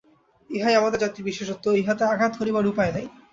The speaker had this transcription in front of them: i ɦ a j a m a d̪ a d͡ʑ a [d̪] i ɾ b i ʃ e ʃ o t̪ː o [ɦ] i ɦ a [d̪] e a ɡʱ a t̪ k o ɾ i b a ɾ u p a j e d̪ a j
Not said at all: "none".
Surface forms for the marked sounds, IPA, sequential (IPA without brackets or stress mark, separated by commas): t̪, none, t̪